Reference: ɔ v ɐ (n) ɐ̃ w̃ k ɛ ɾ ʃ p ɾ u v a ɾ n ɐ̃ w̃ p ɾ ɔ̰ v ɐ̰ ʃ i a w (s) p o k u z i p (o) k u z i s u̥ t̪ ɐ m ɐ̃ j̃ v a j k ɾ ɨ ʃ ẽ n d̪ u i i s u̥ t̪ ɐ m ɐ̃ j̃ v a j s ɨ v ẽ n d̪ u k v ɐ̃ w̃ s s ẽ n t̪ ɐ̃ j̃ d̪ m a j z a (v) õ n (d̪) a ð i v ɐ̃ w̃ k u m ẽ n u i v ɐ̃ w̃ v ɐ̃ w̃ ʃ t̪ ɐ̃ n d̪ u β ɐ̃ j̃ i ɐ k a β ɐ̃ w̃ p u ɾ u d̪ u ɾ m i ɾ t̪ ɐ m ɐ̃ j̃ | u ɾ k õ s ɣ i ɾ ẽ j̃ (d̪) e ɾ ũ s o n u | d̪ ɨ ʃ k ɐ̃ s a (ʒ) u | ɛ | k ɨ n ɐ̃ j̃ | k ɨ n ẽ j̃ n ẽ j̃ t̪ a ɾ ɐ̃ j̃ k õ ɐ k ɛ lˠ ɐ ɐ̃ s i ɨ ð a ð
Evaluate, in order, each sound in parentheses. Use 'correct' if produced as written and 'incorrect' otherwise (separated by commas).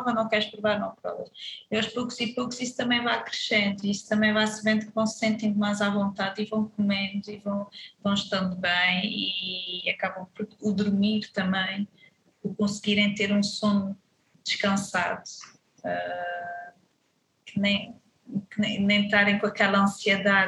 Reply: correct, incorrect, correct, correct, incorrect, incorrect, incorrect